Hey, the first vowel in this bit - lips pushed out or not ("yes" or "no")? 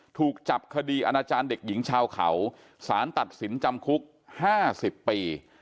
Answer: yes